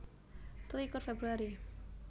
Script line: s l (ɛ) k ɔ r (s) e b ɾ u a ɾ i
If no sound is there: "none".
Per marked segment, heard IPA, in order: i, f

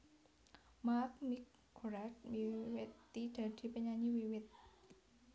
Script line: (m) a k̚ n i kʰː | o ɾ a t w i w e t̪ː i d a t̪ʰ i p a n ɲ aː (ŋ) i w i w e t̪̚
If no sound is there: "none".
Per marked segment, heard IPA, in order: m, ɲ

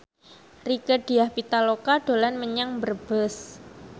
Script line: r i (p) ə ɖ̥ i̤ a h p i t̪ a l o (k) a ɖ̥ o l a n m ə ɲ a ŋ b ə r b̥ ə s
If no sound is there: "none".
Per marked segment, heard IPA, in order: k, k

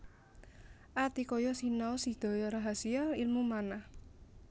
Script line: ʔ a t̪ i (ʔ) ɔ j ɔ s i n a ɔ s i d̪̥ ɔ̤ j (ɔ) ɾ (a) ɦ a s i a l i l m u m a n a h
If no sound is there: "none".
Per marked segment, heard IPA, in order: k, ɔ, a

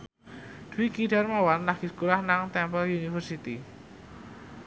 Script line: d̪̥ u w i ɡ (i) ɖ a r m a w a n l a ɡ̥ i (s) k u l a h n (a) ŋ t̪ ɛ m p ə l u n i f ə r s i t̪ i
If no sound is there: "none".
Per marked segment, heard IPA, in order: i, s, a

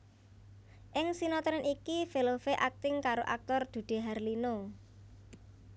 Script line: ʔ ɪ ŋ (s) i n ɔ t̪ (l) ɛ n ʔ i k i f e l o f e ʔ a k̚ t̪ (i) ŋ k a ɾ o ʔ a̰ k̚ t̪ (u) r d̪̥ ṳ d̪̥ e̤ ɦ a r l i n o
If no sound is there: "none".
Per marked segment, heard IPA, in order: s, ɾ, ɪ, ɔ

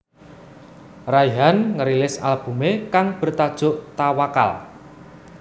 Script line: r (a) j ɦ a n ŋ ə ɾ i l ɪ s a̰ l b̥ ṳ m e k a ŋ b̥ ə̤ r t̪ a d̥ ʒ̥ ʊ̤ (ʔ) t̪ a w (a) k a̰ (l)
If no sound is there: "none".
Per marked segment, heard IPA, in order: a, ʔ, a, l

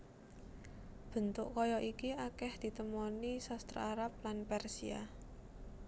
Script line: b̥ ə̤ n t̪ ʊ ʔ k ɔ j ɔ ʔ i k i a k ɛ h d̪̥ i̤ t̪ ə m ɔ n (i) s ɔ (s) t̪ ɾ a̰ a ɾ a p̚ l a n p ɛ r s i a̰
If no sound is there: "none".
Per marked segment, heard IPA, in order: i, s

